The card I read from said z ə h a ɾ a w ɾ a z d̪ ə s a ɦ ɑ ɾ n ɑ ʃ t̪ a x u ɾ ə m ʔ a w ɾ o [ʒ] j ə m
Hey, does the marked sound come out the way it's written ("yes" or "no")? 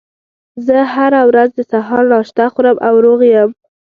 no